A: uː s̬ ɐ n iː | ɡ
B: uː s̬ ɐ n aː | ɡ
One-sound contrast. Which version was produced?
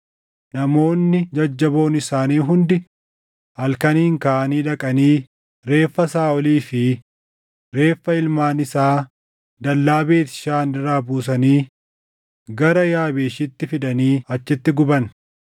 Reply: A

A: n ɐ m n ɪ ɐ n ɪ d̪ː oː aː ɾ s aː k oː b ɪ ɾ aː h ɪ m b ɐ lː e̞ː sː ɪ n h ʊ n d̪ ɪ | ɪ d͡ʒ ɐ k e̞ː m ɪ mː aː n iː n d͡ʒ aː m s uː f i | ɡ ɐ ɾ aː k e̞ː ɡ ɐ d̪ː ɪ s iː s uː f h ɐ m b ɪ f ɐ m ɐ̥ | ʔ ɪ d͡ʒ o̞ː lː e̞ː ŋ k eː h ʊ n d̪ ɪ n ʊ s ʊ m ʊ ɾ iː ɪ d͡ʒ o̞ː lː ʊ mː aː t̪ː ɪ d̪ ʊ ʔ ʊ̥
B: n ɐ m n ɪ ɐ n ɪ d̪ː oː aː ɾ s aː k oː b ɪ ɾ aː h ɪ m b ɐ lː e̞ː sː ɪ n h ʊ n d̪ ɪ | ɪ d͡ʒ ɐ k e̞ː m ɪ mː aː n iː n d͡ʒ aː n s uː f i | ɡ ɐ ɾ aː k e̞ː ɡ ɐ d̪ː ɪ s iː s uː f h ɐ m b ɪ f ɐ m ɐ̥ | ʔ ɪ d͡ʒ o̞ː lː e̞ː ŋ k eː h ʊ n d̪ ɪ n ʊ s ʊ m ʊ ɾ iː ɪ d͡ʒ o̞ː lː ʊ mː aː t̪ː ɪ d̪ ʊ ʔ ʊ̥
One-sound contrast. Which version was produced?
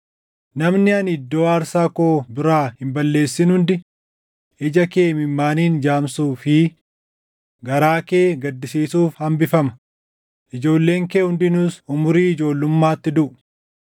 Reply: A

